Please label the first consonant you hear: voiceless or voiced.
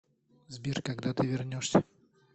voiced